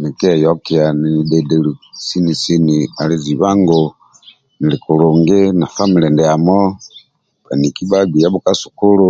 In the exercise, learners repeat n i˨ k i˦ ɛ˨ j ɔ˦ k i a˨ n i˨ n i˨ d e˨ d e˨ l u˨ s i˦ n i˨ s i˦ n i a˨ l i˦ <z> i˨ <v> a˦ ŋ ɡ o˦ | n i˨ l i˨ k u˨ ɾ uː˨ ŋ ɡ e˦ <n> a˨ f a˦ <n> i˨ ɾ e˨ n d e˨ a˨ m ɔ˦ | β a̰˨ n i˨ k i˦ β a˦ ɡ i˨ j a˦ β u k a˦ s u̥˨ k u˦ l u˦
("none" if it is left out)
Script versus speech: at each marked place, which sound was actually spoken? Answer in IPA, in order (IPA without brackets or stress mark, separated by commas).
z, β, n, m